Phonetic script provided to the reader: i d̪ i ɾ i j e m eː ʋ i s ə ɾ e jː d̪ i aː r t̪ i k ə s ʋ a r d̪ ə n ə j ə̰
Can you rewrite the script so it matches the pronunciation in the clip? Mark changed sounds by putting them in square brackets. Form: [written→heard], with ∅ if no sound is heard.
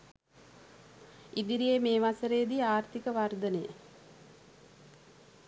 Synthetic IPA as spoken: i d̪ i ɾ i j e m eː ʋ [i→a] s ə ɾ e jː d̪ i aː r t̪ i k ə [s→∅] ʋ a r d̪ ə n ə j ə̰